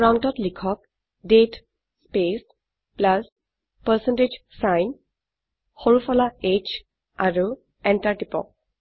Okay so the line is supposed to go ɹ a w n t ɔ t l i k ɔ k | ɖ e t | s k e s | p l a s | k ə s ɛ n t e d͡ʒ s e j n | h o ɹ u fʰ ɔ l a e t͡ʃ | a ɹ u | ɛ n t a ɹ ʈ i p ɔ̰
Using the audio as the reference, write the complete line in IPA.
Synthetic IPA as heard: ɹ a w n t ɔ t l i kʰ ɔ k | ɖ e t | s p e s | p l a s | p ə s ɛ n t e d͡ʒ s a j n | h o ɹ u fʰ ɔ l a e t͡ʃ | a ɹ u | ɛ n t a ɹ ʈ i p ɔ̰